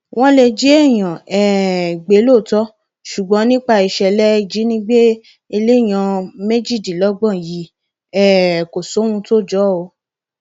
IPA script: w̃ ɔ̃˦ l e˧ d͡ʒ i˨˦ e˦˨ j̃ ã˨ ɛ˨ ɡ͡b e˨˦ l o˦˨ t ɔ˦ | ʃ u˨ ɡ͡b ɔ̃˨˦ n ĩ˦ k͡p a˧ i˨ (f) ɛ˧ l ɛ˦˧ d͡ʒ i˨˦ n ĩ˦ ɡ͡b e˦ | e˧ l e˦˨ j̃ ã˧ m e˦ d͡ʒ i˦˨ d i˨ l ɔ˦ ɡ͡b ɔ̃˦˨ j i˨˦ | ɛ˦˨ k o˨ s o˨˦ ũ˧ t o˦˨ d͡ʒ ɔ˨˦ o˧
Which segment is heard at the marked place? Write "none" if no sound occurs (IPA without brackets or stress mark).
ʃ